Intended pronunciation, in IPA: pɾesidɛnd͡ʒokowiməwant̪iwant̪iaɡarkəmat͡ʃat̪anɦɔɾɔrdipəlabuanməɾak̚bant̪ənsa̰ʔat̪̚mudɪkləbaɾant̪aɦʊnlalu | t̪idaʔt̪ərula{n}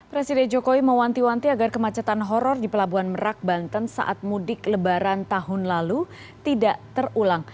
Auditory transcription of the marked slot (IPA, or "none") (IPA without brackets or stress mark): ŋ